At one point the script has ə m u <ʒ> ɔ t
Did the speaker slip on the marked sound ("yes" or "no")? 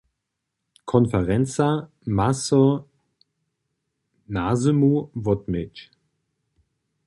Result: yes